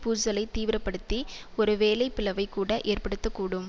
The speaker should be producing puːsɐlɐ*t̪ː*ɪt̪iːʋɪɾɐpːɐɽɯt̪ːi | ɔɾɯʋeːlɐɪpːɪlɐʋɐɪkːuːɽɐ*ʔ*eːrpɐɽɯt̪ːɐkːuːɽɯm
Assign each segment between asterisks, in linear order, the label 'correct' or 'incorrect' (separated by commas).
incorrect, correct